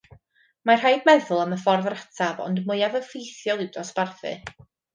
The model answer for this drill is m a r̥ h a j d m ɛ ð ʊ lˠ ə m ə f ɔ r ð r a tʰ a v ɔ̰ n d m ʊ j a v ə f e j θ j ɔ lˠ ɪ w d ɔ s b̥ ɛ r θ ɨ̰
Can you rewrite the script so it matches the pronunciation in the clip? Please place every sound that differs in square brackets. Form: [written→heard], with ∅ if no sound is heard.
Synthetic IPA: m a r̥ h a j d m ɛ ð ʊ lˠ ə m ə f ɔ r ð r a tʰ a v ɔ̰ n d m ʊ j a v ə f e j θ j ɔ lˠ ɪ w d ɔ s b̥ [ɛ→a] r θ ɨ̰